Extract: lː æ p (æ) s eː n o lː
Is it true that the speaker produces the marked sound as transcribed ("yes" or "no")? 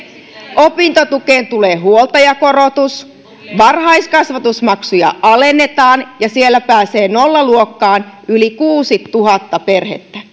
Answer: no